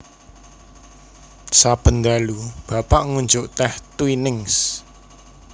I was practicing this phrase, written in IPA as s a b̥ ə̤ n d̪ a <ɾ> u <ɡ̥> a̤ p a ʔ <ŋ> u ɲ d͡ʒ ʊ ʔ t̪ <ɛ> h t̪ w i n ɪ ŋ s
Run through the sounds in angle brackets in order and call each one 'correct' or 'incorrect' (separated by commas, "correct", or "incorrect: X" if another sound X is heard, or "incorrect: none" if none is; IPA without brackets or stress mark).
incorrect: l, incorrect: b̥, correct, correct